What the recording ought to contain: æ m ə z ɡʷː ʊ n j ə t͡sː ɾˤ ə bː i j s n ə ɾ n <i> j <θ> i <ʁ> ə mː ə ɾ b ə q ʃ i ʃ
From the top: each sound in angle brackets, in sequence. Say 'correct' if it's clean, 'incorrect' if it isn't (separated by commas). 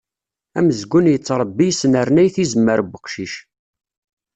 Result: incorrect, correct, incorrect